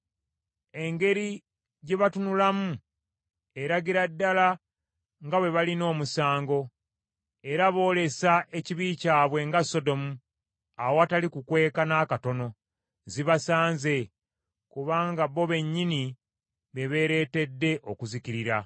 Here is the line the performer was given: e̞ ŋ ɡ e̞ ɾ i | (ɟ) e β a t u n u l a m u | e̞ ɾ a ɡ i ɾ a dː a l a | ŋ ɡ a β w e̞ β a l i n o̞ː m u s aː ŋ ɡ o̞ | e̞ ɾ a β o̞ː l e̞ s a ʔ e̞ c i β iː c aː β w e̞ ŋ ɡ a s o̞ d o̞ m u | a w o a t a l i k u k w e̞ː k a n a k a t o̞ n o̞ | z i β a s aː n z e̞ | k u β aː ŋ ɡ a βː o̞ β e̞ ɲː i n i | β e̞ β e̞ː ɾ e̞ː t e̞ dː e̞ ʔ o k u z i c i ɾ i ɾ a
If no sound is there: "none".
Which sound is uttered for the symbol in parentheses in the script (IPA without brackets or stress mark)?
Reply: ɟ